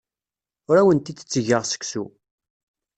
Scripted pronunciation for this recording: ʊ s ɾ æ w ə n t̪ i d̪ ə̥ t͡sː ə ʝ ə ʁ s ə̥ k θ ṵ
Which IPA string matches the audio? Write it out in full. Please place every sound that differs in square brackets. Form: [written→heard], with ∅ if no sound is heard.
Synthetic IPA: ʊ [s→∅] ɾ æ w ə n t̪ i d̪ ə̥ t͡sː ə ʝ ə ʁ s ə̥ k [θ→s] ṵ